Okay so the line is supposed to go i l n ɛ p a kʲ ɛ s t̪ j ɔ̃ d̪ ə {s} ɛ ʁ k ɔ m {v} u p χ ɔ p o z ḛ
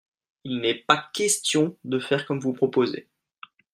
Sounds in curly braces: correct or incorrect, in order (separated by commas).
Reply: incorrect, correct